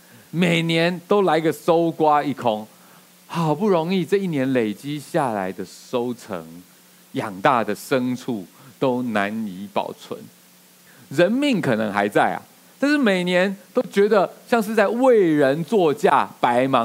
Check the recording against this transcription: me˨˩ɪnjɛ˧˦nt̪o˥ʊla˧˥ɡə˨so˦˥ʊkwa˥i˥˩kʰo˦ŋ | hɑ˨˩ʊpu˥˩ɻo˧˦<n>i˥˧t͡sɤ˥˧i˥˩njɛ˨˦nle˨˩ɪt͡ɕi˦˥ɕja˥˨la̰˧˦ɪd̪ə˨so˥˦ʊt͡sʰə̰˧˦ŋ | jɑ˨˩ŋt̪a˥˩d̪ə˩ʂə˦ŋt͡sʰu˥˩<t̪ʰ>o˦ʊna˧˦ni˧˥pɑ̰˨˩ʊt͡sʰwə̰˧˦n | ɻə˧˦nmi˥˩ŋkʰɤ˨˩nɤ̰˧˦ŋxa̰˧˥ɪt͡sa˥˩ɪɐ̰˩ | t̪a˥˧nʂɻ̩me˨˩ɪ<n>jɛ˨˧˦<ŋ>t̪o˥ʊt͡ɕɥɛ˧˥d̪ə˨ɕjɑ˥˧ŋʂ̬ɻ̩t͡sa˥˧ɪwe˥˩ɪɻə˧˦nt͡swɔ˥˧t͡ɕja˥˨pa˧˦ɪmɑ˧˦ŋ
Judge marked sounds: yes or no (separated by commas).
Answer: no, no, yes, no